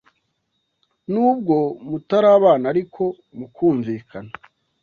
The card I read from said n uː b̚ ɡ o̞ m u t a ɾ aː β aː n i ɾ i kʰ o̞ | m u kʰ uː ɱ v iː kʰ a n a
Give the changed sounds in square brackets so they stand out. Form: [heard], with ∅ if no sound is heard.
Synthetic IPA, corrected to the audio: n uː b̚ ɡ o̞ m u t a ɾ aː β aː n [a] ɾ i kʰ o̞ | m u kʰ uː ɱ v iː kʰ a n a